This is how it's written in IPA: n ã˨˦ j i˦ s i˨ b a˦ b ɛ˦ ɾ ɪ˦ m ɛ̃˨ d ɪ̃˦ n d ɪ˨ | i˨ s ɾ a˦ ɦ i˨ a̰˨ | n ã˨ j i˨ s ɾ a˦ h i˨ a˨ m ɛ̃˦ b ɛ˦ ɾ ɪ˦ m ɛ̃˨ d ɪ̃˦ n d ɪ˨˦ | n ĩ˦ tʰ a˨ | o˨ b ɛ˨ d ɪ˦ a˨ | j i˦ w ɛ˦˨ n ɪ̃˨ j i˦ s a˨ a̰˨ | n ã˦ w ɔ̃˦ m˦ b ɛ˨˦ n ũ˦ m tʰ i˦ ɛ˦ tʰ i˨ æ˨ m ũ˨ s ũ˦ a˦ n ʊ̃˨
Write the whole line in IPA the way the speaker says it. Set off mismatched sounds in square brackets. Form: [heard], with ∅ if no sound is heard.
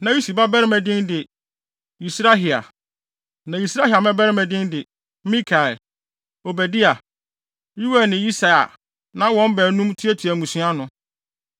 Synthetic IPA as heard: n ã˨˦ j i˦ s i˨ b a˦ b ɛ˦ ɾ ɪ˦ m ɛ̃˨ d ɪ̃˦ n d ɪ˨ | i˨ s ɾ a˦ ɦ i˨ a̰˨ | n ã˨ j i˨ s ɾ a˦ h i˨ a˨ m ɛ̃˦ b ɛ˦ ɾ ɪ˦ m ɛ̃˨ d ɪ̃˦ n d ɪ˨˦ | [m] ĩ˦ [kʰ] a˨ | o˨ b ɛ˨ d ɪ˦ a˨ | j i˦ w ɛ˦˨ n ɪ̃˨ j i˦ s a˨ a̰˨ | n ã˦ w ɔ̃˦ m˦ b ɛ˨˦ n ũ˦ m tʰ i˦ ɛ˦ tʰ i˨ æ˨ m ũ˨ s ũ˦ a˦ n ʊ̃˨